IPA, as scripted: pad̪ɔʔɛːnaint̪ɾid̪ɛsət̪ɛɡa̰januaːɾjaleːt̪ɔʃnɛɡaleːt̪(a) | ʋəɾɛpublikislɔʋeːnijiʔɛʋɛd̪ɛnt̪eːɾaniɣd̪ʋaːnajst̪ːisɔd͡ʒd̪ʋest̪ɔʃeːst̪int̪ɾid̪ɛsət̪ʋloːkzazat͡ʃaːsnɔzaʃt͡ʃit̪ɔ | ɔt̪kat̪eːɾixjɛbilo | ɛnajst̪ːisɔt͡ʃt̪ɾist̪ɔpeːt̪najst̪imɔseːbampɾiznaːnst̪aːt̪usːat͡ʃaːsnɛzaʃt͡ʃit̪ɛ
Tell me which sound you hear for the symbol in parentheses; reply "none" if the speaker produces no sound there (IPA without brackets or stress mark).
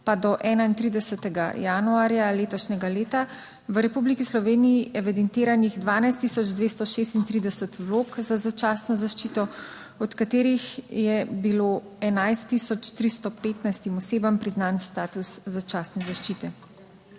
a